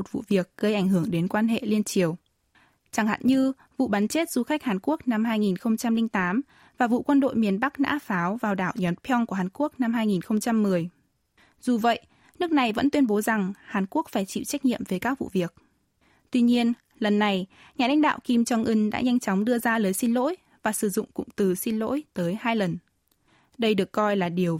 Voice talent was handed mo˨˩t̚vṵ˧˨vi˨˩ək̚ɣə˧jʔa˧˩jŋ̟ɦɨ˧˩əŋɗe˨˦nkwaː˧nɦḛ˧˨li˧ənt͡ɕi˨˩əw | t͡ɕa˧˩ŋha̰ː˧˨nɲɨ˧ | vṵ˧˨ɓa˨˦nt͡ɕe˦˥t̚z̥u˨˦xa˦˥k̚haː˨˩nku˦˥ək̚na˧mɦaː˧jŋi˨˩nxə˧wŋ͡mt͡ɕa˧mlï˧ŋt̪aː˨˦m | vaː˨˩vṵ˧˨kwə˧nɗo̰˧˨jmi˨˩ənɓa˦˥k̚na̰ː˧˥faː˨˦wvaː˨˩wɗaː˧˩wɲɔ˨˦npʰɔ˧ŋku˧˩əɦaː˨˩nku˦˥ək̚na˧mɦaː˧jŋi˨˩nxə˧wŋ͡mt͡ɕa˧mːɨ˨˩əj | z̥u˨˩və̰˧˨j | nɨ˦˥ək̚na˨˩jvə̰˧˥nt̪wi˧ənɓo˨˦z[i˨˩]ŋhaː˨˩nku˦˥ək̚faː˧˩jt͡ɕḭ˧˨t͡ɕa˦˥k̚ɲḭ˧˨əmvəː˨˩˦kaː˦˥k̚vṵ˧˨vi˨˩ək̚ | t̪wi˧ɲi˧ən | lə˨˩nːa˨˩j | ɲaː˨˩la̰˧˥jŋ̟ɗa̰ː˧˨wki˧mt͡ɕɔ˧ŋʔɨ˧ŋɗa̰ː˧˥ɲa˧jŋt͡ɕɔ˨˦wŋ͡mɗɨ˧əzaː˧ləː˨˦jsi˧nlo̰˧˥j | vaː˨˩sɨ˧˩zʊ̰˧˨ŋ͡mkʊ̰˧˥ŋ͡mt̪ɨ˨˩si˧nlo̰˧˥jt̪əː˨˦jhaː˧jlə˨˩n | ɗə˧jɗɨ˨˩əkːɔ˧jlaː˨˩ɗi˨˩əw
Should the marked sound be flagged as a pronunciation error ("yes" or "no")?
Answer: yes